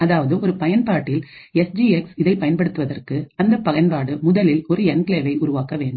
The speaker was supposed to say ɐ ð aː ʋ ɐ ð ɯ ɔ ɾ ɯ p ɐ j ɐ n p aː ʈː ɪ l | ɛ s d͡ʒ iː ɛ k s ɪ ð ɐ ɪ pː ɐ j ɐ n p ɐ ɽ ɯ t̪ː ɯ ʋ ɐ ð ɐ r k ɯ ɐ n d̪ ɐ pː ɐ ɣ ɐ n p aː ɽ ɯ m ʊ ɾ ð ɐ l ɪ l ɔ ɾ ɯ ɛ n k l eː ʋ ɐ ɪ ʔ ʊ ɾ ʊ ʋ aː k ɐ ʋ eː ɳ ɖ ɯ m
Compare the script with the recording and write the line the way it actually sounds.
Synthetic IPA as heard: ɐ ð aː ʋ ɐ ð ɯ ɔ ɾ ɯ p ɐ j ɐ n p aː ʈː ɪ l | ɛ s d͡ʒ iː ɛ k s ɪ ð ɐ ɪ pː ɐ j ɐ n p ɐ ɽ ɯ t̪ː ɯ ʋ ɐ ð ɐ r k ɯ ɐ n d̪ ɐ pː ɐ ɣ ɐ n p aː ɽ ɯ m ʊ ð ɐ l ɪ l ɔ ɾ ɯ ɛ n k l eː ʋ ɐ ɪ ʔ ʊ ɾ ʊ ʋ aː k ɐ ʋ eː ɳ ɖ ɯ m